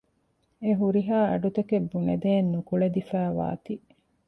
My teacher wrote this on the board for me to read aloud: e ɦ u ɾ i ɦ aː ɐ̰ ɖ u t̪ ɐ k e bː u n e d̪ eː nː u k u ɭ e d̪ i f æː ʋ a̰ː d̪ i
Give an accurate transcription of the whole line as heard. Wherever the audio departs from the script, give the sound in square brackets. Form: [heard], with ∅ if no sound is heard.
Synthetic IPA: e ɦ u ɾ i ɦ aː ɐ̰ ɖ u t̪ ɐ k e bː u n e d̪ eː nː u k u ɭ e d̪ i f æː ʋ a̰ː [t̪] i